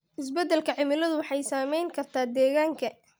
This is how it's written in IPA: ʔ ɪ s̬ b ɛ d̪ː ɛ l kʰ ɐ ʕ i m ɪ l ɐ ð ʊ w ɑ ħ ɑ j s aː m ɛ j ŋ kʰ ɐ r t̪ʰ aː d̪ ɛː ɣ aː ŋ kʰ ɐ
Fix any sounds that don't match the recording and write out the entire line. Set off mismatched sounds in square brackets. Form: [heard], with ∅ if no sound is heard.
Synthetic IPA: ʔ ɪ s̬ b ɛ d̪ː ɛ l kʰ ɐ ʕ [ɪ] m ɪ l ɐ ð ʊ w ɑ ħ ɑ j s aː m ɛ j ŋ kʰ ɐ r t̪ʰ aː d̪ ɛː ɣ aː ŋ kʰ ɐ